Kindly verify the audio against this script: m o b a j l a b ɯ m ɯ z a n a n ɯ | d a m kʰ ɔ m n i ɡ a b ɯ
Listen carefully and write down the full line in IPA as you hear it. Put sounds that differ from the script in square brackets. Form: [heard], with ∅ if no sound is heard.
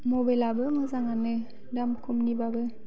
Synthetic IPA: m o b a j l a b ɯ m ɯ z a [ŋ] a n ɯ | d a m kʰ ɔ m n i [b] a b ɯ